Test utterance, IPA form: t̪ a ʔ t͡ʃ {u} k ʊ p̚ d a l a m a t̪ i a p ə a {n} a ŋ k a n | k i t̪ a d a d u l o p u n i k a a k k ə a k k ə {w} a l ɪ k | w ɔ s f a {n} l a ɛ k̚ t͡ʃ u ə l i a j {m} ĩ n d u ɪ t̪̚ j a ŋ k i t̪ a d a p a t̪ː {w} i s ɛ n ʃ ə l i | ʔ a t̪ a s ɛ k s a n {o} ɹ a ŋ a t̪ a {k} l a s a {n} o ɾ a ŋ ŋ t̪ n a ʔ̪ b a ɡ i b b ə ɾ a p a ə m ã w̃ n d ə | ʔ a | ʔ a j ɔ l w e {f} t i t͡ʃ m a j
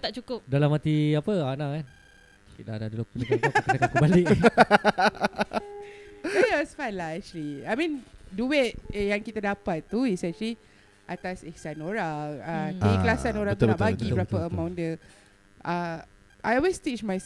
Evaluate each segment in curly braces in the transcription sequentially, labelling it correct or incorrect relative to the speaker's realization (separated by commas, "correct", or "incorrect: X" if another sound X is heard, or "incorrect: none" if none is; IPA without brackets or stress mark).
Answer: correct, correct, incorrect: b, correct, correct, incorrect: u, correct, correct, correct, incorrect: s